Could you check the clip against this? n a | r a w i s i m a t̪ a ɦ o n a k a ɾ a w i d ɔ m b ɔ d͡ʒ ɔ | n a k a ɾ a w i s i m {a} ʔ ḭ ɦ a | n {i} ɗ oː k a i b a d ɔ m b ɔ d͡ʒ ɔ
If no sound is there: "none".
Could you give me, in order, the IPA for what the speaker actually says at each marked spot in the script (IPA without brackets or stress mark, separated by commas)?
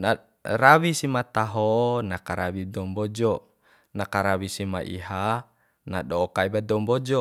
a, a